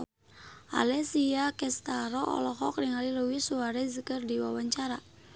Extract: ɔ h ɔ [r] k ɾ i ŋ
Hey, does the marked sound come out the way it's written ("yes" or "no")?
no